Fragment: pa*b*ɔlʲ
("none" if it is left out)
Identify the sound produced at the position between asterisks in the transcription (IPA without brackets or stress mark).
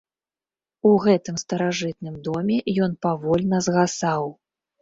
v